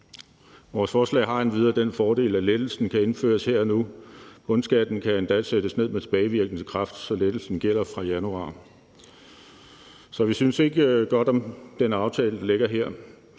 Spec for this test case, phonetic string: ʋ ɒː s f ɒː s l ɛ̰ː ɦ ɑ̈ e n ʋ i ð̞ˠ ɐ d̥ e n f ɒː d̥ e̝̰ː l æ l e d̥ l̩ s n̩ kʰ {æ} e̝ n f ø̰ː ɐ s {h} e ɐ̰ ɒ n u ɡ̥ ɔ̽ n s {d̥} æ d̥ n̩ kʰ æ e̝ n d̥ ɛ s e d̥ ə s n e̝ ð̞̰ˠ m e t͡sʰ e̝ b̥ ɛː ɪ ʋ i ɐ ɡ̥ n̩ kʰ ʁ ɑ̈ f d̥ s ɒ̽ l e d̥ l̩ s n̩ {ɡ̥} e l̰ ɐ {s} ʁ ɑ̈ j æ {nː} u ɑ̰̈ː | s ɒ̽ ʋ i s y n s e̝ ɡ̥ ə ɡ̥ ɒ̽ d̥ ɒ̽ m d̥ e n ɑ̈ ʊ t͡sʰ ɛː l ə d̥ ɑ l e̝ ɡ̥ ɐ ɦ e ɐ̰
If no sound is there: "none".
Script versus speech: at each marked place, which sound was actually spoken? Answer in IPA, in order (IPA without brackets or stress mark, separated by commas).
æ, h, ɡ̥, ɡ̥, f, n